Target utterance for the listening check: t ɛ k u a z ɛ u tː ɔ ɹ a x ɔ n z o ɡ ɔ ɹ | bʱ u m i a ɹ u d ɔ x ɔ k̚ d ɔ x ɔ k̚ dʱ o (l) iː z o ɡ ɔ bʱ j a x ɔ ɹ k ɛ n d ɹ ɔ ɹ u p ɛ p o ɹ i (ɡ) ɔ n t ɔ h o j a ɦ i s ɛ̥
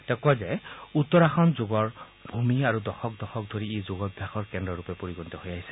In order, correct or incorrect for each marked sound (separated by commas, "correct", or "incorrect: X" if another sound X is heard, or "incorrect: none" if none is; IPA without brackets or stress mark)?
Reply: incorrect: ɹ, correct